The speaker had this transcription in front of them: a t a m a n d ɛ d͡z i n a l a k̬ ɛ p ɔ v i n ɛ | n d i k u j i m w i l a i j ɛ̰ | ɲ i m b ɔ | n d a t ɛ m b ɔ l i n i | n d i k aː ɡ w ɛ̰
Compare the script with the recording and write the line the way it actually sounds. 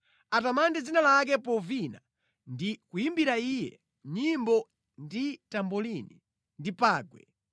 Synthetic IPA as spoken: a t a m a n d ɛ d͡z i n a l a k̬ ɛ p ɔ v i n a | n d i k u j i m b i ɾ a i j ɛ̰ | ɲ i m b ɔ | n d i t a m b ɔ l i n i | n d i p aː ɡ w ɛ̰